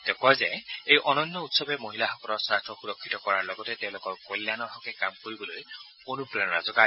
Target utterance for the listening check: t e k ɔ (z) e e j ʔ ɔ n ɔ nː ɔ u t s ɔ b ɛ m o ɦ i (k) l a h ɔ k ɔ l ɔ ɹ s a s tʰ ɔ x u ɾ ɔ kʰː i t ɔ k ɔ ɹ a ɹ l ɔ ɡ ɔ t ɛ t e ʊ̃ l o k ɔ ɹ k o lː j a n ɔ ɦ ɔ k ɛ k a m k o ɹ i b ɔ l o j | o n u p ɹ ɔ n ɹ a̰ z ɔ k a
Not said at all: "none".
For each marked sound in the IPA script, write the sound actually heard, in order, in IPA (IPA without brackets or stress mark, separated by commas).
z, none